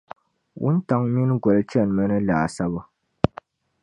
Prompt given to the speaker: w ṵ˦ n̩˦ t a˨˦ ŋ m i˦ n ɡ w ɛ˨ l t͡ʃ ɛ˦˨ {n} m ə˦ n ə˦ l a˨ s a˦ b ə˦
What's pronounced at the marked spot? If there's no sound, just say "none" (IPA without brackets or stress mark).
n